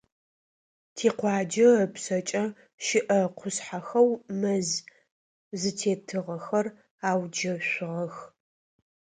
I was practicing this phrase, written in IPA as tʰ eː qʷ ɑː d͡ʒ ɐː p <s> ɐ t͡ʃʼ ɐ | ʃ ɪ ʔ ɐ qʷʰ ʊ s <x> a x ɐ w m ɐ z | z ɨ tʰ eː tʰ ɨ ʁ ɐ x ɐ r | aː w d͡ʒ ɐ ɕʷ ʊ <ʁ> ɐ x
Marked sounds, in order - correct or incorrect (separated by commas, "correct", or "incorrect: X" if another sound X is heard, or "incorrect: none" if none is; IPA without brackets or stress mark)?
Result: correct, incorrect: ħ, correct